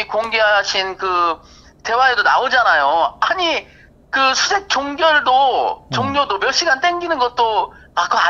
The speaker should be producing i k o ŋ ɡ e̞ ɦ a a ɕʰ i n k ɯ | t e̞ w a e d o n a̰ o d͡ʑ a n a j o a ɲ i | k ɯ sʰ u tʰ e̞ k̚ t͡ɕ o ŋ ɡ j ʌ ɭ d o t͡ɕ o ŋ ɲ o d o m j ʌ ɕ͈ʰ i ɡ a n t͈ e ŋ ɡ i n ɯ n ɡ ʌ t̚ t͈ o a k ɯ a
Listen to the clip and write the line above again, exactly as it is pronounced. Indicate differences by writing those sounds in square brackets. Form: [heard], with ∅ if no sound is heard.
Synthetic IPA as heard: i k o ŋ ɡ e̞ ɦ a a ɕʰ i n k ɯ | t e̞ w a e d o n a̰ o d͡ʑ a n a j o a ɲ i | k ɯ sʰ u [sʰ] e̞ k̚ t͡ɕ o ŋ ɡ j ʌ ɭ d o t͡ɕ o ŋ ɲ o d o m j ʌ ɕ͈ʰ i ɡ a n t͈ e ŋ ɡ i n ɯ n ɡ ʌ t̚ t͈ o a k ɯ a